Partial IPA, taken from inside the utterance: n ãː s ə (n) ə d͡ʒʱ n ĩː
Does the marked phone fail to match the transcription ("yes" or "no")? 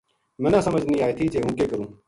yes